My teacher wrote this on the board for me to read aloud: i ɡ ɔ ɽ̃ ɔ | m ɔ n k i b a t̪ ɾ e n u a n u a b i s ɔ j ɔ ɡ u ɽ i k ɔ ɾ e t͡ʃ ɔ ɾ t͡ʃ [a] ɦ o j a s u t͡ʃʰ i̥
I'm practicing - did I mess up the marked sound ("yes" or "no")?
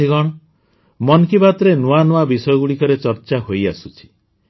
no